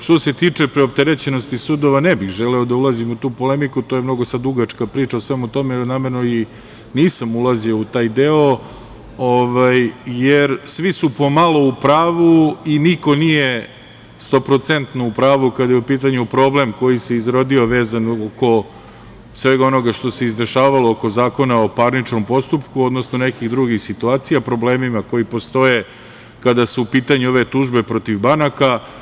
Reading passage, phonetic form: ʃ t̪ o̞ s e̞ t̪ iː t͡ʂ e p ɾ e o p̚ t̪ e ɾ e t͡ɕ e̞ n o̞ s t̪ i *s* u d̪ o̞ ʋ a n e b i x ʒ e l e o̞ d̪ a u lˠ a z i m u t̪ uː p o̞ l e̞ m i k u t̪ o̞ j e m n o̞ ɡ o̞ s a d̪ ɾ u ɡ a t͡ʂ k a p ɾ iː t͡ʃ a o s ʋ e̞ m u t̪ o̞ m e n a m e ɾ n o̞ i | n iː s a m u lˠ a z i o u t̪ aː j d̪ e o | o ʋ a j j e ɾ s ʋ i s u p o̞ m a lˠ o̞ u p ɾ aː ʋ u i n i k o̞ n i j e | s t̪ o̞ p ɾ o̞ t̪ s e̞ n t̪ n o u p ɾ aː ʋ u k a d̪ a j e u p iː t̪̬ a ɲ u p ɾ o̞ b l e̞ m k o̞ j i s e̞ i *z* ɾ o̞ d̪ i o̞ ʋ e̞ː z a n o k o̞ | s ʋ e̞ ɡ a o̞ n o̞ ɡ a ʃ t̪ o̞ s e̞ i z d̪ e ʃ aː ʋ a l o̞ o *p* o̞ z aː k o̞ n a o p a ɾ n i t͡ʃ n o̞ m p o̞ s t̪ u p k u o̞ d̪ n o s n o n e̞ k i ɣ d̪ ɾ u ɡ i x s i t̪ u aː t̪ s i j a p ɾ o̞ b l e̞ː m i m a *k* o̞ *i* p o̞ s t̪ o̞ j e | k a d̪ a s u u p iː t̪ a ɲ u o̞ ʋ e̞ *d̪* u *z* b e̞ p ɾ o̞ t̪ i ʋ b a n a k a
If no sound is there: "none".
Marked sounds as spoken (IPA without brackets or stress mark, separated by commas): s, z, k, k, i, t̪, ʒ